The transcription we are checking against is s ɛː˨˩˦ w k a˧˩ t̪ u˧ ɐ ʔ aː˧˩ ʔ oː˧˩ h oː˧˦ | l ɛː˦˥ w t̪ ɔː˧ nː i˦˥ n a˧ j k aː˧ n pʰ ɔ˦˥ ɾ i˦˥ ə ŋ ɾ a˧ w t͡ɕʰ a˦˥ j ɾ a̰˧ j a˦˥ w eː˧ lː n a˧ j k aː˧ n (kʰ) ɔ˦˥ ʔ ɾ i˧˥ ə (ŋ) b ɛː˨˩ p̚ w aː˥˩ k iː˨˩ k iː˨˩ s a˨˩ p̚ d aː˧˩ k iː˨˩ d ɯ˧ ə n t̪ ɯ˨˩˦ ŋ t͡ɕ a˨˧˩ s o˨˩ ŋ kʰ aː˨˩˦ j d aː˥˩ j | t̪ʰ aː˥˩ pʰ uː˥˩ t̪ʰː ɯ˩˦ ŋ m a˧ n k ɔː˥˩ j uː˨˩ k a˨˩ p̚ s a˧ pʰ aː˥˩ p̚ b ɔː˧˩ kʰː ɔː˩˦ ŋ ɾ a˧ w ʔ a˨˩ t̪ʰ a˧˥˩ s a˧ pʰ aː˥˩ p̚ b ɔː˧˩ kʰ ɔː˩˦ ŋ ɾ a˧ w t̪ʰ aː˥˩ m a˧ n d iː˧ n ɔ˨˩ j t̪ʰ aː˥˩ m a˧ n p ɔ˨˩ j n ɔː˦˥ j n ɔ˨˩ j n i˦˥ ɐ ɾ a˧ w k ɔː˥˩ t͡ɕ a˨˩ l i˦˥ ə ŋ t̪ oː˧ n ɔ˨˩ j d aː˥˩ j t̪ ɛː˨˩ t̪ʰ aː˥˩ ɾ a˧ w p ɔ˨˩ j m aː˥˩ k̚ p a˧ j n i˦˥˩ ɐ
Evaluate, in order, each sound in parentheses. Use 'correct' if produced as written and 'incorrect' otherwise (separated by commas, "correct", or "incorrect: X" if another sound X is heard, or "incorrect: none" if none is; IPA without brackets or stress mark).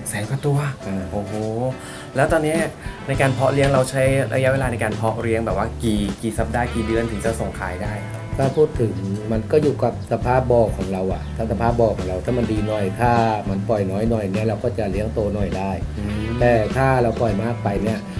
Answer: incorrect: pʰ, correct